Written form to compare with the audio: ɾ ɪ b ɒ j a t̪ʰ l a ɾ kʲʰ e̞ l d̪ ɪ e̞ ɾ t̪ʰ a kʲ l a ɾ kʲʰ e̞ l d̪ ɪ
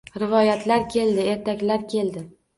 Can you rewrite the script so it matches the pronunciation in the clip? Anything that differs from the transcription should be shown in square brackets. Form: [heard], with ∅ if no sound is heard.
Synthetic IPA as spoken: ɾ ɪ [v] ɒ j a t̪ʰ l a ɾ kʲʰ e̞ l d̪ ɪ e̞ ɾ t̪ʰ a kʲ l a ɾ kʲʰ e̞ l d̪ ɪ